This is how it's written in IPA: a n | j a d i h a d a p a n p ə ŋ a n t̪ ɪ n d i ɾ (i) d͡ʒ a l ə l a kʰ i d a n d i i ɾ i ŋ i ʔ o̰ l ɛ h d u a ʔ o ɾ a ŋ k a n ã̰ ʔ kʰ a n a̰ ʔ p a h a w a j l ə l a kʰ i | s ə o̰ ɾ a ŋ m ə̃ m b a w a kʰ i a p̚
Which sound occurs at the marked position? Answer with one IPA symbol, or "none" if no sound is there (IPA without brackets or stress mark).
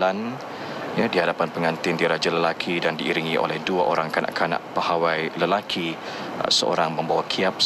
a